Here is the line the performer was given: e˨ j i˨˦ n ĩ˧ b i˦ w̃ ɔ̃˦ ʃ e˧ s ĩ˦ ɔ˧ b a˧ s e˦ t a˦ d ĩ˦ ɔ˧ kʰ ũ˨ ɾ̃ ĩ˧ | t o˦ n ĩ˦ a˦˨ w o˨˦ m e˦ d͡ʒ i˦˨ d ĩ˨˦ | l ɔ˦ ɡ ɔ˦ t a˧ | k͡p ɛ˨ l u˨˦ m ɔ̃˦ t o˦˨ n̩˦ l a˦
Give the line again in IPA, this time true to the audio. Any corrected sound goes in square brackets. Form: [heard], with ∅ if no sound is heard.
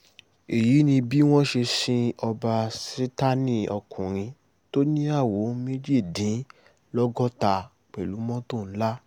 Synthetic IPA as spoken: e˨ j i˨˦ n ĩ˧ b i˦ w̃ ɔ̃˦ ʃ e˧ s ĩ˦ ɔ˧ b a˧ s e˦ t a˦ [n] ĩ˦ ɔ˧ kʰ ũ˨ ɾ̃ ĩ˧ | t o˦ n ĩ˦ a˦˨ w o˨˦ m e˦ d͡ʒ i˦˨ d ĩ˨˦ | l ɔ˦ ɡ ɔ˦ t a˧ | k͡p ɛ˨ l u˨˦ m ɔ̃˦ t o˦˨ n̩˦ l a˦